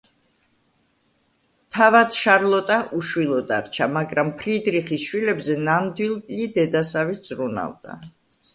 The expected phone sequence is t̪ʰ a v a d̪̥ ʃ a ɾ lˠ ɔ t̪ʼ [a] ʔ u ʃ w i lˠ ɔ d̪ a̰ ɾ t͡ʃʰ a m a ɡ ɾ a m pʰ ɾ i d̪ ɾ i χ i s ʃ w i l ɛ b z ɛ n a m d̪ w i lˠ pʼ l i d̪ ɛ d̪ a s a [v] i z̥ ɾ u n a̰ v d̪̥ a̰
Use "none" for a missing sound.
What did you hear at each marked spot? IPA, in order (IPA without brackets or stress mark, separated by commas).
a, v